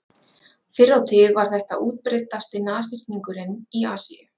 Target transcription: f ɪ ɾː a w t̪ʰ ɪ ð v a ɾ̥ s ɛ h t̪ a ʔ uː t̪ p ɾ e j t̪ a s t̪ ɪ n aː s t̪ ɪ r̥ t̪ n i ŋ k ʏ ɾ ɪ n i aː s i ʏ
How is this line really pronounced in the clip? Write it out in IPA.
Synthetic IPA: f ɪ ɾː a w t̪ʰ ɪ ð v a ɾ̥ θ ɛ h t̪ a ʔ uː t̪ p ɾ e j t̪ a s t̪ ɪ n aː s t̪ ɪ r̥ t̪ n i ŋ k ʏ ɾ ɪ n i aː s i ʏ